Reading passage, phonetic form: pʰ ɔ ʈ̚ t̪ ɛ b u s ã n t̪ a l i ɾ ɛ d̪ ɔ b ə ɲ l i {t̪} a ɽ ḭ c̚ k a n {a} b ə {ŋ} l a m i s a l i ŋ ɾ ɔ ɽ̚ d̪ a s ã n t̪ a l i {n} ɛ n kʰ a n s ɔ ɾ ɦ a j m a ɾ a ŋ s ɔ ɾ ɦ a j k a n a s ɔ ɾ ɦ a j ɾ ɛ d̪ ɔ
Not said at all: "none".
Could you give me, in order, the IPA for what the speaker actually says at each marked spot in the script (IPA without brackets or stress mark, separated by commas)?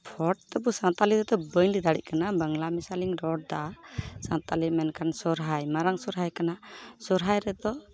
d̪, a, ŋ, m